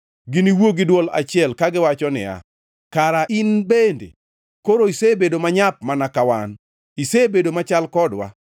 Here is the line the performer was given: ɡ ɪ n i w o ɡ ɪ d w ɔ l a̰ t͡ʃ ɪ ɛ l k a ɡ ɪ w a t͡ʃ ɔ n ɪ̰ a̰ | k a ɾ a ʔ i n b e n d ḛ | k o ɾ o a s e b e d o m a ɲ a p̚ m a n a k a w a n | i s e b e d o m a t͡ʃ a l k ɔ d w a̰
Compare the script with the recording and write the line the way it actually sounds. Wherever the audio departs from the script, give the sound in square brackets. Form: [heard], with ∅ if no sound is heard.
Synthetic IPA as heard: ɡ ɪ n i w o ɡ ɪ d w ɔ l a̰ t͡ʃ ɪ ɛ l k a ɡ ɪ w a t͡ʃ ɔ n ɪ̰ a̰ | k a ɾ a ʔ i n b e n d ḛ | k o ɾ o [i] s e b e d o m a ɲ a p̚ m a n a k a w a n | i s e b e d o m a t͡ʃ a l k ɔ d w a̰